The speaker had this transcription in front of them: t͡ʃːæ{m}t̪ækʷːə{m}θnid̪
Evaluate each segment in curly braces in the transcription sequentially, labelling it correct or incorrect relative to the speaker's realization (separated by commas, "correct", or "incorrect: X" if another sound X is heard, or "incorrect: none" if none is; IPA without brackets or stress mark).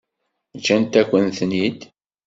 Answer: incorrect: n, incorrect: n